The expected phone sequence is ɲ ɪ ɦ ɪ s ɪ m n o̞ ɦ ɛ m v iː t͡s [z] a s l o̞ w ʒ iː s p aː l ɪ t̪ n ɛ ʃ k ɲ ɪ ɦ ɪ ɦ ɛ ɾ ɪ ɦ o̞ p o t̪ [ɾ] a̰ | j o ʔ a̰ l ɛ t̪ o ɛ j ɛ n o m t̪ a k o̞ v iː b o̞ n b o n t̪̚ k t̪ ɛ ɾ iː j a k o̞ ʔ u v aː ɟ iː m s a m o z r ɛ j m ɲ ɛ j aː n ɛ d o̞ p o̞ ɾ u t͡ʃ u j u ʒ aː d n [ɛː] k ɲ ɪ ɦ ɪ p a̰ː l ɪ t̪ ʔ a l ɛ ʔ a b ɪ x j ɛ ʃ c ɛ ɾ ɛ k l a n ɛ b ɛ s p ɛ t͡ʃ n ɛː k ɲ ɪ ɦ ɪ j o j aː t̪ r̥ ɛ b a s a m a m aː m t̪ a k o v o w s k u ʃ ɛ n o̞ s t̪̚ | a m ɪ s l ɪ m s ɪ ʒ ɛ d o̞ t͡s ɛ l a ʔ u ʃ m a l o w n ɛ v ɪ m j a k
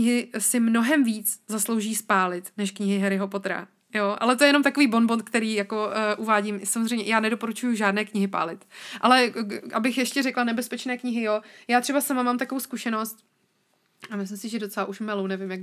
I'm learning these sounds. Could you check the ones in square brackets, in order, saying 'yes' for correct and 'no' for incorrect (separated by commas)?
yes, yes, yes